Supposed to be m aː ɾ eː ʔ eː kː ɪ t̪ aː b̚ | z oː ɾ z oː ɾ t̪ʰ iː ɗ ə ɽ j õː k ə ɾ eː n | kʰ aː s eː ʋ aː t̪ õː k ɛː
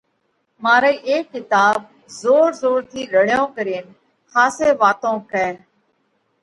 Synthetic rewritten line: m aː ɾ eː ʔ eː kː ɪ t̪ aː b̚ | z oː ɾ z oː ɾ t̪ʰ iː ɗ ə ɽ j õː k ə ɾ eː n | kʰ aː s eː ʋ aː t̪ õː k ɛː